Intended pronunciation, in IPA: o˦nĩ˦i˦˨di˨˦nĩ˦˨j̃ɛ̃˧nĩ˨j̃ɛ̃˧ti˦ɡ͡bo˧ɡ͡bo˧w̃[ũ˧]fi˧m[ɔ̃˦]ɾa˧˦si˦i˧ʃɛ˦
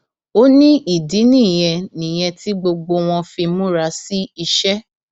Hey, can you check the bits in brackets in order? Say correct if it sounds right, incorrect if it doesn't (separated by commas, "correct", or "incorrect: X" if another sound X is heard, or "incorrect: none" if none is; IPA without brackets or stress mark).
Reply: incorrect: ɔ̃˧, incorrect: ũ˦